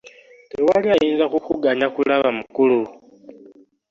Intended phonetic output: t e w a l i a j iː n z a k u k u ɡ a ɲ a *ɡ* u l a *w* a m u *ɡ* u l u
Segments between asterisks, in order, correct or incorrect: incorrect: k, incorrect: β, incorrect: k

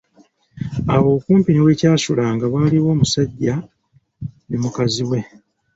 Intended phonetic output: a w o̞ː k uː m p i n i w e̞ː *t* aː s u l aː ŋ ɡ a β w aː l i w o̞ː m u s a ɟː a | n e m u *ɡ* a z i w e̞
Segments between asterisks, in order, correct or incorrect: incorrect: c, incorrect: k

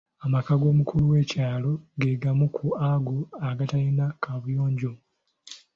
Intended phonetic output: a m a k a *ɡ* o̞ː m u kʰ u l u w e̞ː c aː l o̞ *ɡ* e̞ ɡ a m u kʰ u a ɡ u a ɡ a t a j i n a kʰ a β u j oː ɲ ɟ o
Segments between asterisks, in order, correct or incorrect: correct, correct

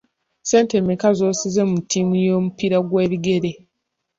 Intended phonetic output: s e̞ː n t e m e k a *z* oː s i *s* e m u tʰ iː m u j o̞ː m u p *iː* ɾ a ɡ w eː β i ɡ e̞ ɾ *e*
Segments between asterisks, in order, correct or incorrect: correct, incorrect: z, incorrect: i, correct

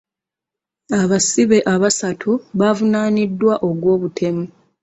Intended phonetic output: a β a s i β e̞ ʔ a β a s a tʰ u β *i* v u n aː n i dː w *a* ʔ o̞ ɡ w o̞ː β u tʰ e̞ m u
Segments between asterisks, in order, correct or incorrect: incorrect: a, correct

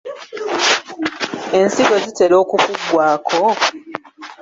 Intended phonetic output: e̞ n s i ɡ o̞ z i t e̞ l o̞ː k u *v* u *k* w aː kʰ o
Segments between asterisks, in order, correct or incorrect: incorrect: f, incorrect: ɡ

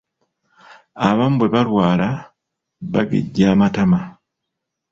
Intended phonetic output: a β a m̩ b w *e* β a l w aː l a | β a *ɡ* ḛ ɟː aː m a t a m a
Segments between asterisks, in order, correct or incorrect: correct, correct

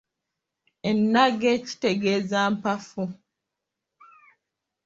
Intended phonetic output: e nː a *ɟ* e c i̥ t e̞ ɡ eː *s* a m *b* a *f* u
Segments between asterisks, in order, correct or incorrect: incorrect: ɡ, incorrect: z, incorrect: p, correct

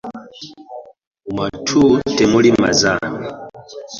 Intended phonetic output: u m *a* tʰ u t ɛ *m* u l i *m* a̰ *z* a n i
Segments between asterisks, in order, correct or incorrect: correct, correct, correct, correct

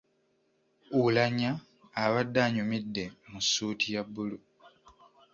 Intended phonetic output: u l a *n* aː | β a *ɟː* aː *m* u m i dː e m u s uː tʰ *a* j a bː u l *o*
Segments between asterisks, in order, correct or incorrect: incorrect: ɲ, incorrect: dː, incorrect: ɲ, incorrect: i, incorrect: u

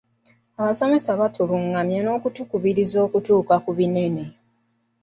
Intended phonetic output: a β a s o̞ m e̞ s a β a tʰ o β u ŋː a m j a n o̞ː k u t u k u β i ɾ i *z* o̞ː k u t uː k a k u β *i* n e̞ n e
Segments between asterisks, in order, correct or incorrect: correct, correct

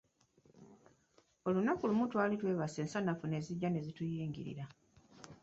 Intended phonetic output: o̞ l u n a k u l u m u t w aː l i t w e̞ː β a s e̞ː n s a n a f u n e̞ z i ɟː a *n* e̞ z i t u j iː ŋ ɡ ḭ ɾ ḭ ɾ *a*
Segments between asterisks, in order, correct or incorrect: correct, correct

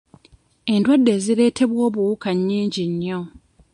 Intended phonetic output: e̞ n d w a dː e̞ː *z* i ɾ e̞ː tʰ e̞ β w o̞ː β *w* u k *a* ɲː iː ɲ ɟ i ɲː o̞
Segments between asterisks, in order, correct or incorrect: correct, incorrect: u, correct

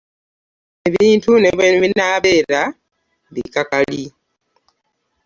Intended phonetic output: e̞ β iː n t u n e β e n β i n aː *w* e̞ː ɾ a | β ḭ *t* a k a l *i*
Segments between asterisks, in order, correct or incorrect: incorrect: β, incorrect: k, correct

